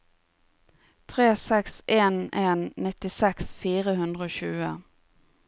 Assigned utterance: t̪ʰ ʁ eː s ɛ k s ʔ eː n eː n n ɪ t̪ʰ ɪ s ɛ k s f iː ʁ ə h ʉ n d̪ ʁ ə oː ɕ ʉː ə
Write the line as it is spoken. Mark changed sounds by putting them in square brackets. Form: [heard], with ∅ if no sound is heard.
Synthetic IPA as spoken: t̪ʰ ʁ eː s ɛ k s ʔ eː n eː n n ɪ [t̪] ɪ s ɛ k s f iː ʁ ə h ʉ n d̪ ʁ ə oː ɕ ʉː ə